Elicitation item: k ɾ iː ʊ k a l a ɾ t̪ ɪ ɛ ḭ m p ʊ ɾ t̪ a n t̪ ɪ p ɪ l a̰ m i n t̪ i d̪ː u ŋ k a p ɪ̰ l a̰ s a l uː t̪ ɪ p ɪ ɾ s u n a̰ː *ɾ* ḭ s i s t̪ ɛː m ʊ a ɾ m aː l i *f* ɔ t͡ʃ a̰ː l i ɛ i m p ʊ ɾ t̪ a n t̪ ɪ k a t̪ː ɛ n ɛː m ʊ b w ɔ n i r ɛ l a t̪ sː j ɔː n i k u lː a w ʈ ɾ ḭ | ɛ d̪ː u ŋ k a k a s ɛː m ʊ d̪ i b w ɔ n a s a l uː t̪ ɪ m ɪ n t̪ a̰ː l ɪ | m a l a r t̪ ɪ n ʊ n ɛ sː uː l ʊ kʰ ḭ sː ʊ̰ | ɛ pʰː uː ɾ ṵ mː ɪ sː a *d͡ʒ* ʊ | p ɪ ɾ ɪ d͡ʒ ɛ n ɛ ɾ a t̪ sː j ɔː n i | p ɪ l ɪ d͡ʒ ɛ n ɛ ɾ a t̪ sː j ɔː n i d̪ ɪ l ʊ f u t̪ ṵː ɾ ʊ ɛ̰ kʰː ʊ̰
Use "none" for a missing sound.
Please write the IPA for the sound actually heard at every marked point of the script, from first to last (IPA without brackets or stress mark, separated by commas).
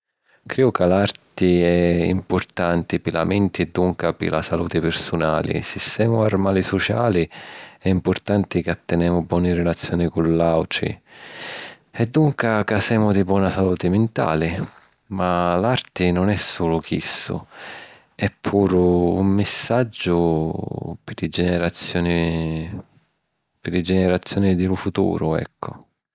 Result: l, s, d͡ʒː